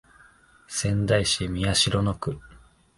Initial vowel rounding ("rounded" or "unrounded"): unrounded